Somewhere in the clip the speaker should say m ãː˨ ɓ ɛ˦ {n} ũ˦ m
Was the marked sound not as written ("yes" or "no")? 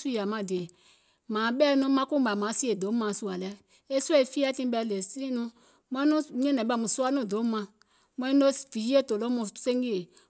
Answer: no